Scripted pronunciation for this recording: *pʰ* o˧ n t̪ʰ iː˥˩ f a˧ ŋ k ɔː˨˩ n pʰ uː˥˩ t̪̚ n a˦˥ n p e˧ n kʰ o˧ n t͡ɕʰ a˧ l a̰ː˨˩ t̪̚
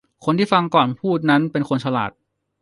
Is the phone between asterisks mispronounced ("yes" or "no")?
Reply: yes